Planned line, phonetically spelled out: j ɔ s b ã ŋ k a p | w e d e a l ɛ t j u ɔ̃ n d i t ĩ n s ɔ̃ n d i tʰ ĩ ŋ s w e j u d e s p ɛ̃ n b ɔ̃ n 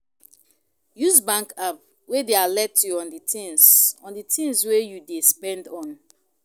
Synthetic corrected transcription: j u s b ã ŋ k a p | w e d e a l ɛ t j u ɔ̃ n d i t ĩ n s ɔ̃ n d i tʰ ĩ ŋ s w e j u d e s p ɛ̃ n d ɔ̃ n